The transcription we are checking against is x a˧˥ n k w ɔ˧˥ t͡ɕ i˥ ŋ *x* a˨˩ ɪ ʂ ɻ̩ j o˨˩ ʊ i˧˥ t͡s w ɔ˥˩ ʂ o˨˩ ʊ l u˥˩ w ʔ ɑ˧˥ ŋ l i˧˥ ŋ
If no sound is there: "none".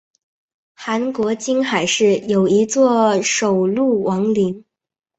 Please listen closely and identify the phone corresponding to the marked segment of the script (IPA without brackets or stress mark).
x